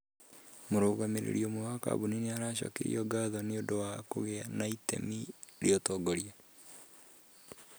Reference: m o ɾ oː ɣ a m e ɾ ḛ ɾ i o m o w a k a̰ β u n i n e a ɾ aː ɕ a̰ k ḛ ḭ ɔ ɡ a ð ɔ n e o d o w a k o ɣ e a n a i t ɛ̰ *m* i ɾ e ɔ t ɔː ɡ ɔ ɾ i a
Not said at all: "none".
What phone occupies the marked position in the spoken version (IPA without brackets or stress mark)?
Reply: m